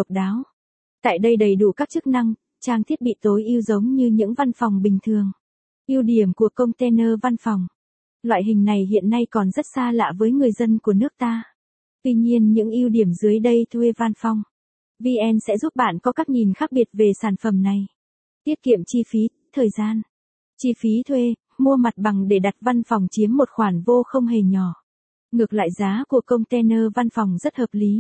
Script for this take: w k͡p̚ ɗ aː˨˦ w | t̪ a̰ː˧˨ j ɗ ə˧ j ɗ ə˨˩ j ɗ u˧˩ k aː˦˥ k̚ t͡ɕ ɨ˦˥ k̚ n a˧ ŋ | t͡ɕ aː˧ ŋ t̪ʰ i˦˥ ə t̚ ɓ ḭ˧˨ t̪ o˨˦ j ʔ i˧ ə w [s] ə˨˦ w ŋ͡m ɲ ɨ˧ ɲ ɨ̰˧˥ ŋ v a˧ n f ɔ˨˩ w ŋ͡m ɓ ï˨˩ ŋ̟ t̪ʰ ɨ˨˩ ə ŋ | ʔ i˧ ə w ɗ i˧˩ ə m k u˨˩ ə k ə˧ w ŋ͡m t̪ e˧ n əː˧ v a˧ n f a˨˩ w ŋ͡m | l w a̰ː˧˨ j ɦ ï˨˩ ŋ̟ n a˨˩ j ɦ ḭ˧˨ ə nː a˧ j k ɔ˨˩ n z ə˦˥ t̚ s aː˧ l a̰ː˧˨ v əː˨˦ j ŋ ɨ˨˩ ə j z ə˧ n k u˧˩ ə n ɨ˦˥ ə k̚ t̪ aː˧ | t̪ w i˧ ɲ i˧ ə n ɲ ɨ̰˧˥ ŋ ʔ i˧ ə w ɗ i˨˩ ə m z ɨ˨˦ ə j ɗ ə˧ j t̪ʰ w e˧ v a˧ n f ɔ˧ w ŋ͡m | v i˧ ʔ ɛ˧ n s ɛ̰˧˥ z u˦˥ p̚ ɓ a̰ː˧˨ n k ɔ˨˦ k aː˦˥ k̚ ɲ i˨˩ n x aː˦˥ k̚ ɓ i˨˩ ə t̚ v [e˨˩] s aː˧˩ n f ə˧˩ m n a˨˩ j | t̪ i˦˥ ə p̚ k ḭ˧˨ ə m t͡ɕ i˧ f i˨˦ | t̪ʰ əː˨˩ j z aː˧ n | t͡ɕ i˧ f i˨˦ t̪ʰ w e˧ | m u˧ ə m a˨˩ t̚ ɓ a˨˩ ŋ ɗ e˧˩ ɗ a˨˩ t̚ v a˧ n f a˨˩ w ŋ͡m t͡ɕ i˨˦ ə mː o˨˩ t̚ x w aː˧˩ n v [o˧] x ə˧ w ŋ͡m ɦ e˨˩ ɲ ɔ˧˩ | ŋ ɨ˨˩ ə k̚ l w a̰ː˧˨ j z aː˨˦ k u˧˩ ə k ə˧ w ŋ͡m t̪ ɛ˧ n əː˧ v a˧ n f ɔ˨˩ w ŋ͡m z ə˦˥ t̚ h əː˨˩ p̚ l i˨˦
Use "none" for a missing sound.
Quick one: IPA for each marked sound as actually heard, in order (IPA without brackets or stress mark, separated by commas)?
z, e˨˩, o˧